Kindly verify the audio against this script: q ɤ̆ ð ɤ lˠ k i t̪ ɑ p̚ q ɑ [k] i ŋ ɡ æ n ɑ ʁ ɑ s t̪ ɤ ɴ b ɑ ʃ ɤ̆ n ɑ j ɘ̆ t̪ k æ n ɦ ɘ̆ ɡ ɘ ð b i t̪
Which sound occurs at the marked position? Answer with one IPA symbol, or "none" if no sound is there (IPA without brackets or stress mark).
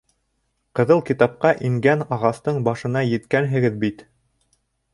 ʔ